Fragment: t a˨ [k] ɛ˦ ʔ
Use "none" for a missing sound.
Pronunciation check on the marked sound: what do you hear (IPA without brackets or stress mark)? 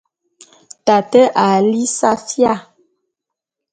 t